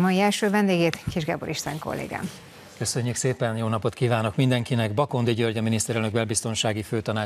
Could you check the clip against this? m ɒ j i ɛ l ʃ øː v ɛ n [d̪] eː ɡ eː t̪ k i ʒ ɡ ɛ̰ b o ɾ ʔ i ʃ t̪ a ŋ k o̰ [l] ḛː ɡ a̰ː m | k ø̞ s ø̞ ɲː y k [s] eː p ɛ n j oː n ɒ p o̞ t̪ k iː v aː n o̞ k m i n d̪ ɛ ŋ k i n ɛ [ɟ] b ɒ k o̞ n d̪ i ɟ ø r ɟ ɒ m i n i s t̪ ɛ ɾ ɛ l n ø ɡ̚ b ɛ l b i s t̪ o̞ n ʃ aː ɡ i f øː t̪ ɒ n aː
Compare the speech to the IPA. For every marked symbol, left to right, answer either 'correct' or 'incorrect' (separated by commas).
correct, incorrect, correct, incorrect